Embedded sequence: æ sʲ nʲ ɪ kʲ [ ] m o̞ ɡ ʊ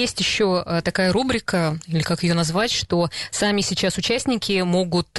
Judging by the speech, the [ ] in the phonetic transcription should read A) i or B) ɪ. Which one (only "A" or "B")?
B